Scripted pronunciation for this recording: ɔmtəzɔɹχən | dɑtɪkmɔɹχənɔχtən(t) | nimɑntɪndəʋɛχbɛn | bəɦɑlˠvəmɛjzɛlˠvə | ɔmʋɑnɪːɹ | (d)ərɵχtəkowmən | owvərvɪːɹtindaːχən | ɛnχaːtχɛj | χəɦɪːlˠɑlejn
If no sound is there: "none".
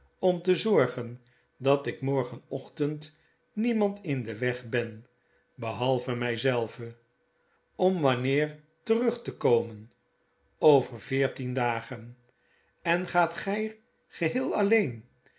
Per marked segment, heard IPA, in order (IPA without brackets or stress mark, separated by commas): t, t